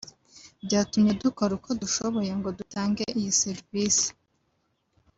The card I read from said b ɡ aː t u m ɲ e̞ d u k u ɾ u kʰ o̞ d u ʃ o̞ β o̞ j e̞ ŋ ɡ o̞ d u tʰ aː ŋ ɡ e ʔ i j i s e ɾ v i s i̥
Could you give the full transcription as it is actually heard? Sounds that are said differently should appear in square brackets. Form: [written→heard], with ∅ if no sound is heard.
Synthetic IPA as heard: b [ɡ→ɟ] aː t u m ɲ e̞ d u k [u→o] ɾ u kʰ o̞ d u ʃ o̞ β o̞ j e̞ ŋ ɡ o̞ d u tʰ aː ŋ ɡ e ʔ i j i s e ɾ v i s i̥